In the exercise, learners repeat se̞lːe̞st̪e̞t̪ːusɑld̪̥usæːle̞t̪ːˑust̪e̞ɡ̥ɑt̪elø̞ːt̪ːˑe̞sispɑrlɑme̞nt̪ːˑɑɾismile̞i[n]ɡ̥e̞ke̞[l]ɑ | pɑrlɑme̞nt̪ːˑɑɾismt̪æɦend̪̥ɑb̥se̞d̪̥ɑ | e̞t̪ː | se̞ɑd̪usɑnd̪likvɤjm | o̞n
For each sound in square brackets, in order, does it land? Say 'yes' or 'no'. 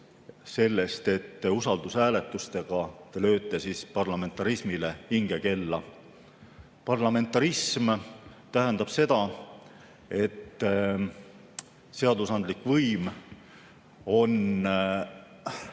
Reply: no, no

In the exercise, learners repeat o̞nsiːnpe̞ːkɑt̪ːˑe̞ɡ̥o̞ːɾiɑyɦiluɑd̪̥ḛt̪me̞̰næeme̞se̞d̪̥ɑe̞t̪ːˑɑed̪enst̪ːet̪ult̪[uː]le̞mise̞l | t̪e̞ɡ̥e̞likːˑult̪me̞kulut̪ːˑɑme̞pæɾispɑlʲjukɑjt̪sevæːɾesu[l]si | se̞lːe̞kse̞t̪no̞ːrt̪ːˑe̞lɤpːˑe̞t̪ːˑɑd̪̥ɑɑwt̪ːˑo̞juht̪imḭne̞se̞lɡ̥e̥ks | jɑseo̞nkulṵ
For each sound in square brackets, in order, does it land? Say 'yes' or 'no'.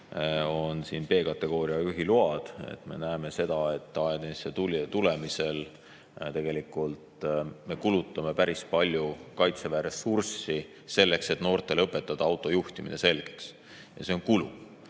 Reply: no, no

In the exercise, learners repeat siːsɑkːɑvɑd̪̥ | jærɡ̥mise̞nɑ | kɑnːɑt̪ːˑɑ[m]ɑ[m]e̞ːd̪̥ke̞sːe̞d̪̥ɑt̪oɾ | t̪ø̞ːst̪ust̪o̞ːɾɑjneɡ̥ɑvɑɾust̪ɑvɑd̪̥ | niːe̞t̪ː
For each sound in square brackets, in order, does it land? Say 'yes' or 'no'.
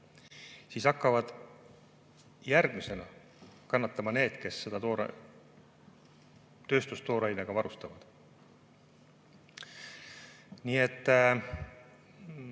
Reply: yes, no

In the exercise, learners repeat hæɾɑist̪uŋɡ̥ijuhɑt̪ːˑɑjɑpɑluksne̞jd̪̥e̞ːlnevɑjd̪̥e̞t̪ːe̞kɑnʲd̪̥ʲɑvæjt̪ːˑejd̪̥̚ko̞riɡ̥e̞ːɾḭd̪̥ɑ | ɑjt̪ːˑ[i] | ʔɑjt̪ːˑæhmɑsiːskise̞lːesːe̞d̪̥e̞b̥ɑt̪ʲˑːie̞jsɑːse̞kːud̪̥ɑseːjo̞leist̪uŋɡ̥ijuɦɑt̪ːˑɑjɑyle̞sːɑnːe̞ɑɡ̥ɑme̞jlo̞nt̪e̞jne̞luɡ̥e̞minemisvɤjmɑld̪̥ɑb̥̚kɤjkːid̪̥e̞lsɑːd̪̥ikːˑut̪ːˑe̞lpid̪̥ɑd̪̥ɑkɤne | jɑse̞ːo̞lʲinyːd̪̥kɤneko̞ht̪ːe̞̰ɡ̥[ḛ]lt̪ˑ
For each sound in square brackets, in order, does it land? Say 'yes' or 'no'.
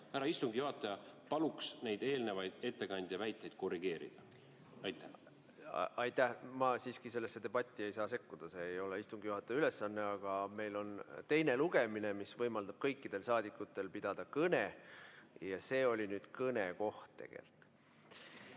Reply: no, yes

